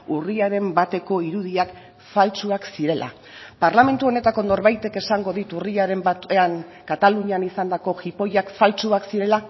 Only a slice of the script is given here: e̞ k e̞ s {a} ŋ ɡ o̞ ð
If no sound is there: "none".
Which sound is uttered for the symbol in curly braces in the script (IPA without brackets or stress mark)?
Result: a